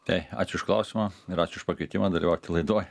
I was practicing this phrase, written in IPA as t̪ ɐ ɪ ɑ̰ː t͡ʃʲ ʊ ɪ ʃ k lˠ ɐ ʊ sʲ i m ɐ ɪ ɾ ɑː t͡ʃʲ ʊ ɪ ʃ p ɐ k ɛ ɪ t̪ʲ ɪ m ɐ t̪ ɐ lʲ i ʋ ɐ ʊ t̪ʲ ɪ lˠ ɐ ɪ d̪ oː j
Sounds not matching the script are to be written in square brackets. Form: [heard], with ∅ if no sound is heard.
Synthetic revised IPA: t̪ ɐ ɪ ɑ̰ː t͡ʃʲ ʊ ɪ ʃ k lˠ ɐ ʊ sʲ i m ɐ ɪ ɾ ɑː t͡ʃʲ ʊ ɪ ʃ p ɐ k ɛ ɪ t̪ʲ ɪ m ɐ [d̪] ɐ lʲ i ʋ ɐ ʊ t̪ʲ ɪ lˠ ɐ ɪ d̪ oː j